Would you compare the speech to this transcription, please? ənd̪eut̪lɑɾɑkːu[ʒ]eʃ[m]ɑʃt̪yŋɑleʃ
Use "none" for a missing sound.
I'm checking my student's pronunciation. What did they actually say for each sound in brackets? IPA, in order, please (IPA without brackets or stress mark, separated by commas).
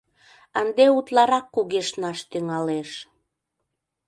ɣ, n